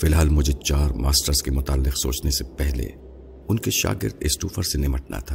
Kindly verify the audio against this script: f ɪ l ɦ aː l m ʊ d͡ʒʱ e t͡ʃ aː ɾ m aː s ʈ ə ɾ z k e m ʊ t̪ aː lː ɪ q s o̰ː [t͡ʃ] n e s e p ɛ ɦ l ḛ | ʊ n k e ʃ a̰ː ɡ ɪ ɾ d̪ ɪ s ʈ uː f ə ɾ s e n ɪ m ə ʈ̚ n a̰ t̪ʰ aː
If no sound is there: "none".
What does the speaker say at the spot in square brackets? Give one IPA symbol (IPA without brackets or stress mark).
t͡ʃ